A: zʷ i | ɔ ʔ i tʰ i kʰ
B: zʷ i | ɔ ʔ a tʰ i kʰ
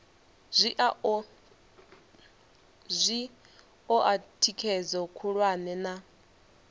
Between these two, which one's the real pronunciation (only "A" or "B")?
B